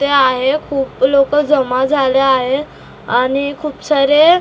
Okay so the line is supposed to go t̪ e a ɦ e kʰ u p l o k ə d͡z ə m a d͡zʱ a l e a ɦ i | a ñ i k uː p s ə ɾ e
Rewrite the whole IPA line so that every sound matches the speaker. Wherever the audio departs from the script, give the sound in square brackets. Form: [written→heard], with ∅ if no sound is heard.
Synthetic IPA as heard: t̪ e a ɦ e kʰ [u→uː] p l o k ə d͡z ə m a d͡zʱ a l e a ɦ [i→e] | a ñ i [k→kʰ] uː p s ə ɾ e